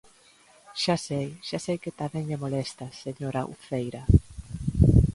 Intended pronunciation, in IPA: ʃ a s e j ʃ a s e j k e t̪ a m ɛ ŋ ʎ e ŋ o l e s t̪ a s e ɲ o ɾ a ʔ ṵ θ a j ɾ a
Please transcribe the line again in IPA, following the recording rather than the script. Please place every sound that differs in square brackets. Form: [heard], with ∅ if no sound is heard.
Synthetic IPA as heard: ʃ a s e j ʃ a s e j k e t̪ a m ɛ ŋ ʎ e [m] o l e s t̪ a s e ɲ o ɾ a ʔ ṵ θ [e] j ɾ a